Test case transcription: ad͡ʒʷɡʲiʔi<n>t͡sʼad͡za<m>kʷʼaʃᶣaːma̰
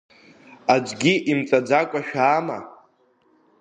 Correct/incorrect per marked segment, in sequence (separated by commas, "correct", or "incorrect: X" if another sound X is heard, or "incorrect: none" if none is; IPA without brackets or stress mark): incorrect: m, incorrect: none